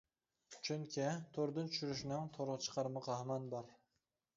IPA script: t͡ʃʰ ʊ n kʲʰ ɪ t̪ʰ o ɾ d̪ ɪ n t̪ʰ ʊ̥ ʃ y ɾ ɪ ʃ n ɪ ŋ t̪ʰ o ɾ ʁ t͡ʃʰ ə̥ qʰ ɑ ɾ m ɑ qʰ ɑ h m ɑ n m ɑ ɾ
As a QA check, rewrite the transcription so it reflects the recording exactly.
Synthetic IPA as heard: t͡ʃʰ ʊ ŋ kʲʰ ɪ t̪ʰ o ɾ d̪ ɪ n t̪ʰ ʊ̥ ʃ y ɾ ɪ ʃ n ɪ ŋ t̪ʰ o ɾ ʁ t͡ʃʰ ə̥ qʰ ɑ ɾ m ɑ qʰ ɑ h m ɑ n b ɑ ɾ